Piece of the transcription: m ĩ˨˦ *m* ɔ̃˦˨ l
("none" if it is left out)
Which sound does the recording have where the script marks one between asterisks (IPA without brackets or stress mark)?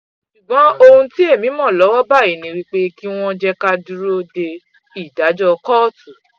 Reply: m